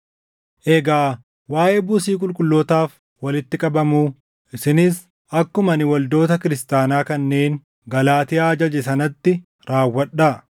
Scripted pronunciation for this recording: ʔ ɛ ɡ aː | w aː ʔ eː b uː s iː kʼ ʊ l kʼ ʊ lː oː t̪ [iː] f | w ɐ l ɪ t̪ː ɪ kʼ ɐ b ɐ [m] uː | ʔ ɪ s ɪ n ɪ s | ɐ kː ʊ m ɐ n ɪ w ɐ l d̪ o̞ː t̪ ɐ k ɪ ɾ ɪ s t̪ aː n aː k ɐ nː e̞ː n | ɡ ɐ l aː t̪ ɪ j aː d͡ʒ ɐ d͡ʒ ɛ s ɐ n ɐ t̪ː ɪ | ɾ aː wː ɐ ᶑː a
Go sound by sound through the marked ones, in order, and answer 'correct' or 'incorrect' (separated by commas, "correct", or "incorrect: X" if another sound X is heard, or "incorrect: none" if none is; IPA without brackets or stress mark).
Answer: incorrect: aː, correct